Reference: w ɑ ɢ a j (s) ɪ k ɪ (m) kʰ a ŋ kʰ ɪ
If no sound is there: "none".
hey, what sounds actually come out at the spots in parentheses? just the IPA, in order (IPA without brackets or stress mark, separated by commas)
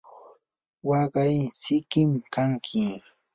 s, m